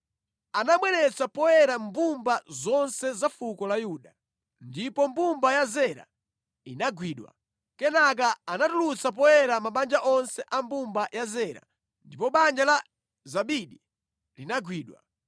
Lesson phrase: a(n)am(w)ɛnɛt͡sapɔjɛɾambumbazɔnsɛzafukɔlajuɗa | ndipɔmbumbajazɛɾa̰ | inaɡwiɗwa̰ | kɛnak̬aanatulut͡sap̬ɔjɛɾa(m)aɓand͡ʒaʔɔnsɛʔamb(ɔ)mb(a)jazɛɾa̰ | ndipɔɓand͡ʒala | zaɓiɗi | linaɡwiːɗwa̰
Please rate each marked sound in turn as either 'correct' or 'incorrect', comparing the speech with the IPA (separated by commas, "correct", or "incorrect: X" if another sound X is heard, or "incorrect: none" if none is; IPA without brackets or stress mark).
correct, correct, correct, incorrect: u, correct